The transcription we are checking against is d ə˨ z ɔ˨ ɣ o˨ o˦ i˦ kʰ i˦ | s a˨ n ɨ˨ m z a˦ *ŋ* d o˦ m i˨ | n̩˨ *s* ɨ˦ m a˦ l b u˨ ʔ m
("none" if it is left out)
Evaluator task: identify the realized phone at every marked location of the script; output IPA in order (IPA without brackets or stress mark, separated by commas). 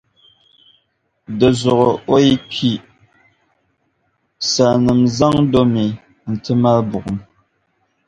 ŋ, t